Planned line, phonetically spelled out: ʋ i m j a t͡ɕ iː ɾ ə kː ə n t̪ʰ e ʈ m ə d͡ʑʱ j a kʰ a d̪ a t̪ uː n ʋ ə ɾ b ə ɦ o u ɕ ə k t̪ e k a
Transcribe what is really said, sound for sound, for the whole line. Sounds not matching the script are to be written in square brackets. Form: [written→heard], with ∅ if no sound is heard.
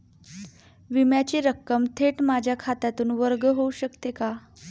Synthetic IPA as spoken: ʋ i m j a t͡ɕ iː ɾ ə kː ə [n→m] t̪ʰ e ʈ m [ə→a] d͡ʑʱ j a kʰ a [d̪→t̪] a t̪ uː n ʋ ə ɾ [b→ɡ] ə ɦ o u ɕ ə k t̪ e k a